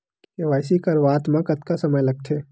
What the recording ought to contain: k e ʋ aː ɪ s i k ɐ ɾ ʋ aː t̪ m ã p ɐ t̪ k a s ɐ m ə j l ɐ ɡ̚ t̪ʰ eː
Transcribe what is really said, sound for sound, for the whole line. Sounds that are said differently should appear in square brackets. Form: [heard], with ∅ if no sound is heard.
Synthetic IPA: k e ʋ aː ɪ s i k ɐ ɾ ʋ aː t̪ m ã [k] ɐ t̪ k a s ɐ m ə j l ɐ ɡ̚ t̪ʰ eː